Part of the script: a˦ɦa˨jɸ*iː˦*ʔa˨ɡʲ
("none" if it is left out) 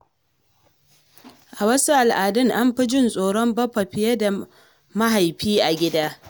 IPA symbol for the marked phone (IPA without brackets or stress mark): iː˦